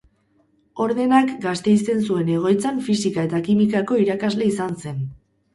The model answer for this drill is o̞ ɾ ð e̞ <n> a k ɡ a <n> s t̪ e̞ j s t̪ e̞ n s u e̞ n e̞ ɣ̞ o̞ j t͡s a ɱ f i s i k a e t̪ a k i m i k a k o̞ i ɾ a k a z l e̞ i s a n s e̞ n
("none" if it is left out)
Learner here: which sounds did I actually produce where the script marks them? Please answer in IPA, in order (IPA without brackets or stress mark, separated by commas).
n, none